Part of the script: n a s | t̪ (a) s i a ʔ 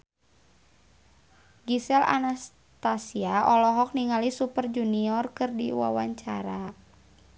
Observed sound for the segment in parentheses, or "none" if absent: a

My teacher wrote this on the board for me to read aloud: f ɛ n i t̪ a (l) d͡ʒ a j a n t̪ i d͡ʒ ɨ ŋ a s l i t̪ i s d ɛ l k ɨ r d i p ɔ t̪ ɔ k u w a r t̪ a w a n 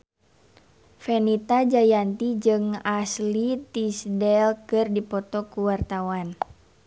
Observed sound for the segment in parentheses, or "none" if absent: none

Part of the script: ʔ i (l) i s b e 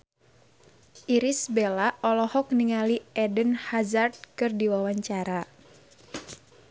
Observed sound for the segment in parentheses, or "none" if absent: ɾ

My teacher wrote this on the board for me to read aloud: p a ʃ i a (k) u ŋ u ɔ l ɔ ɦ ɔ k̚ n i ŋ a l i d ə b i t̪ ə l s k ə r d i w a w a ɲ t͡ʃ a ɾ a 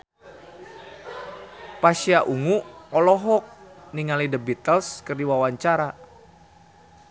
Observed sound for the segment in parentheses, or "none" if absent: ʔ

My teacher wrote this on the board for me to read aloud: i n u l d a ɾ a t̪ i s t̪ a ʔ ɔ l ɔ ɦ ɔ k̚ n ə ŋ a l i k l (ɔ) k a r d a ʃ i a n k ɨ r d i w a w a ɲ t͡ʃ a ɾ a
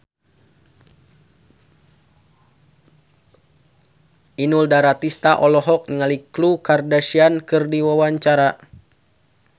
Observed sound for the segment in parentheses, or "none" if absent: u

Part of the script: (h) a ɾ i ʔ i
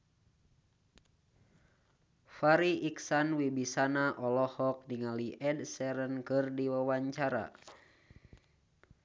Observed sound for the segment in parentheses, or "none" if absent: f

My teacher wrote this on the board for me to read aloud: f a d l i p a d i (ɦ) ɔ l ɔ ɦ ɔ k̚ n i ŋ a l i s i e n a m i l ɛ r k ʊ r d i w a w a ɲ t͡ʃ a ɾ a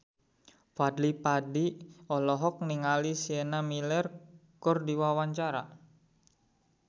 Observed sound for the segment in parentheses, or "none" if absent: none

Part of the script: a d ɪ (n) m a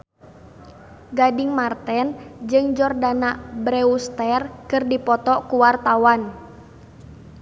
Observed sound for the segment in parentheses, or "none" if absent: ŋ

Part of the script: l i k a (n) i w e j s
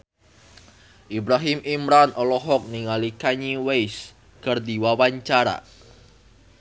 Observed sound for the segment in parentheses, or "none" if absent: ɲ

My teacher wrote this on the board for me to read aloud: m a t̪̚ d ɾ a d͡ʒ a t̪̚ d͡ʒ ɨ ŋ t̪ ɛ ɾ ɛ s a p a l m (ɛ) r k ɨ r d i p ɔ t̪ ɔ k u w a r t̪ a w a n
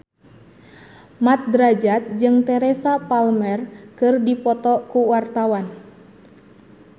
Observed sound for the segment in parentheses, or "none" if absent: ɛ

